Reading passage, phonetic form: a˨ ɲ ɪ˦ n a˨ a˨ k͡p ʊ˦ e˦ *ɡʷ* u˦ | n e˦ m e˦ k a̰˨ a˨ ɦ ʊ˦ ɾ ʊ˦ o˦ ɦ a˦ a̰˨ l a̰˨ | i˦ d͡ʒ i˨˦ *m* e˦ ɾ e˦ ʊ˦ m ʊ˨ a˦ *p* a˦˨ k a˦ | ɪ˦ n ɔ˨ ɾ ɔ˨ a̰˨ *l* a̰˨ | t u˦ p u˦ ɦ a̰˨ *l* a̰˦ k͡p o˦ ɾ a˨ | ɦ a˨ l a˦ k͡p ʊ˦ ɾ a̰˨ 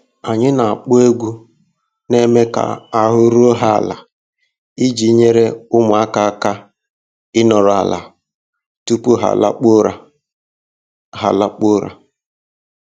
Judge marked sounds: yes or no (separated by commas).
yes, no, no, yes, yes